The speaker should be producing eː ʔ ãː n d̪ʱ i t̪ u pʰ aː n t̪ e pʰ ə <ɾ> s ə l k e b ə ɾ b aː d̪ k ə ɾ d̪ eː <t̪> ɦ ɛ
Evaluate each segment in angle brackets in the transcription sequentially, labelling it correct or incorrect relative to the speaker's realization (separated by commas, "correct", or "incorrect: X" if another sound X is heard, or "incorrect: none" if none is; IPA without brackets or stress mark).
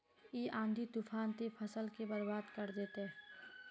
incorrect: none, correct